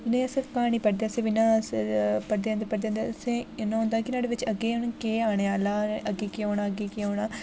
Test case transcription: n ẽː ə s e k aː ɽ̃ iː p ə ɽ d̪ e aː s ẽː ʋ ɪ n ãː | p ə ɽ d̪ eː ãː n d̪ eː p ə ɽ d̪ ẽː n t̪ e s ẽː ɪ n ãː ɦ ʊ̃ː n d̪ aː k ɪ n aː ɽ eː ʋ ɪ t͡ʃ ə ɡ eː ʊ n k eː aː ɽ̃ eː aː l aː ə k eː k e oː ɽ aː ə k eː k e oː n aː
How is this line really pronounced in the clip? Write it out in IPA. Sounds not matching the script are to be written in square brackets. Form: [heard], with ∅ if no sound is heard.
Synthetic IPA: n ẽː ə s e k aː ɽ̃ iː p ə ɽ d̪ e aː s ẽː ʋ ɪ n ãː | p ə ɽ d̪ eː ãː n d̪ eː p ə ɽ d̪ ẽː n [d̪] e s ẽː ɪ n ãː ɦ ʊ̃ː n d̪ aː k ɪ n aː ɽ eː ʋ ɪ t͡ʃ ə ɡ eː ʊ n k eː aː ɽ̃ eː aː l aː ə [ɡ] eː k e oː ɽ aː ə [ɡ] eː k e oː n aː